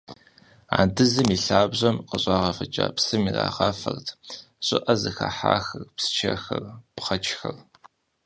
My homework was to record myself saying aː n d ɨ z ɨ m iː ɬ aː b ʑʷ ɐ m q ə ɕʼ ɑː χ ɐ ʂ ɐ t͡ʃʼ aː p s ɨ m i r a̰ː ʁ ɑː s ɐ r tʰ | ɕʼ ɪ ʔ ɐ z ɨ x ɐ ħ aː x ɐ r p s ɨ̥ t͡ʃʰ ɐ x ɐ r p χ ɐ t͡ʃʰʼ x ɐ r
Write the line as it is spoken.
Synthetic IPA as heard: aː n d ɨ z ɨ m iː ɬ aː b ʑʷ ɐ m q ə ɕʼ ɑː ʁ ɐ f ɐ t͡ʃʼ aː p s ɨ m i r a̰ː ʁ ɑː f ɐ r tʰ | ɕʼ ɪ ʔ ɐ z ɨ x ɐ ħ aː x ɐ r p s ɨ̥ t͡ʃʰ ɐ x ɐ r p χ ɐ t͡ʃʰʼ x ɐ r